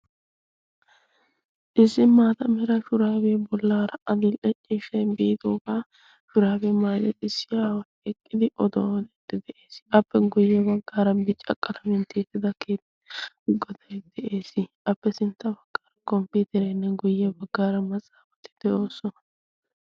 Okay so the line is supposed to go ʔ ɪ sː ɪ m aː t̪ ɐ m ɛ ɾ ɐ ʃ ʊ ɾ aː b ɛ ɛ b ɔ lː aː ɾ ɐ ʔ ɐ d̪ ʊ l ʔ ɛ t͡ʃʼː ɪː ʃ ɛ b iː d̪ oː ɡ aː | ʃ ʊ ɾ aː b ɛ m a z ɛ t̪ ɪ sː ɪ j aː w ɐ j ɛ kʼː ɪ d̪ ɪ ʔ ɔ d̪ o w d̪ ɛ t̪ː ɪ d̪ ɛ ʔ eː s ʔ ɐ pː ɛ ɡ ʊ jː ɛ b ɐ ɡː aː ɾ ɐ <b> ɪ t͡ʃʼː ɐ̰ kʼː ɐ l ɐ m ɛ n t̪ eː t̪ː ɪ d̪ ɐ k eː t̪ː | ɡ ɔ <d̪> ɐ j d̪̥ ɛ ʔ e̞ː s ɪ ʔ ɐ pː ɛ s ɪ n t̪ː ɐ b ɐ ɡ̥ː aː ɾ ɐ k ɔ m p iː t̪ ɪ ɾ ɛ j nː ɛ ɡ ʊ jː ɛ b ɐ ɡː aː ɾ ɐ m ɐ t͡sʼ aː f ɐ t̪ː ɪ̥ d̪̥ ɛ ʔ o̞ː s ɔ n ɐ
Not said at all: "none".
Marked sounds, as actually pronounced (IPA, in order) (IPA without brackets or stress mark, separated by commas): b, d̪